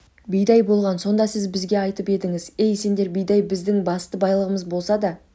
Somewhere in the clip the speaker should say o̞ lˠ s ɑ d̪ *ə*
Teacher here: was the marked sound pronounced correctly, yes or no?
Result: no